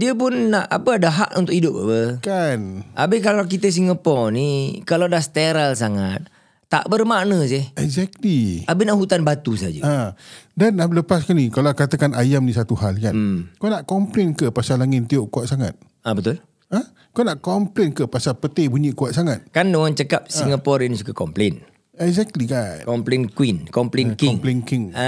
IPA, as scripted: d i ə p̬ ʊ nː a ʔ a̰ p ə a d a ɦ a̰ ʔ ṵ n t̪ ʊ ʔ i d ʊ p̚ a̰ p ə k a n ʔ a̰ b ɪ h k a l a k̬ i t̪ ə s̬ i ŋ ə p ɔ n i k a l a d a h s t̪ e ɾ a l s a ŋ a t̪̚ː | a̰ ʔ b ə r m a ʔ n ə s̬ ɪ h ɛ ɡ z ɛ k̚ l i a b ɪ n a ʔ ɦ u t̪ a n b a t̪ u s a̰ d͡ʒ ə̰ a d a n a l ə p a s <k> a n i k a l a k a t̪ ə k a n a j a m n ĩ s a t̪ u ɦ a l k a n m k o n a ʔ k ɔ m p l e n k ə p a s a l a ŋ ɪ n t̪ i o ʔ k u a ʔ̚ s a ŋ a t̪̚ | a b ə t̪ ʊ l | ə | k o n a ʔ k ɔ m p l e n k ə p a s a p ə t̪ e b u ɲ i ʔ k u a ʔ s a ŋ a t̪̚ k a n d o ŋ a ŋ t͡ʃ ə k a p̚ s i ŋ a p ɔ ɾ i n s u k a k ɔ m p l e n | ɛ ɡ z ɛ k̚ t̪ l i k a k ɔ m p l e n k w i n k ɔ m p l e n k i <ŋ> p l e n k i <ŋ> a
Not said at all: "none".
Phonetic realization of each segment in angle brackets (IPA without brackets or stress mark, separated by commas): k, ŋ, ŋ